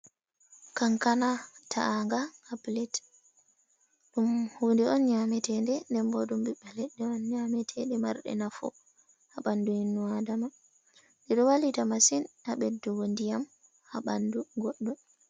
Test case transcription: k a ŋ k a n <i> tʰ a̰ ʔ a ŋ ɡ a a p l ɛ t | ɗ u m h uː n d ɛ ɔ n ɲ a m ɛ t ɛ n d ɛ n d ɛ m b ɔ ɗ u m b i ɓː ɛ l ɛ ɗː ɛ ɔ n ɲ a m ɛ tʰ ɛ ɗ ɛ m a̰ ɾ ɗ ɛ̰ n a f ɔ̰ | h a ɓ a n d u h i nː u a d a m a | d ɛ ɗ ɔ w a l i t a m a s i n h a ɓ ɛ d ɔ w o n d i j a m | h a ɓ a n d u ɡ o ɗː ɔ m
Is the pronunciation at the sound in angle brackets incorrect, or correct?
incorrect